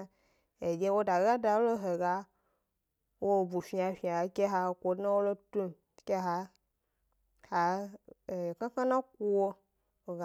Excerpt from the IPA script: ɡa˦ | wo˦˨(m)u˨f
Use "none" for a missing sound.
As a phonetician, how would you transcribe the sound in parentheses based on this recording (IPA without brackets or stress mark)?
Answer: b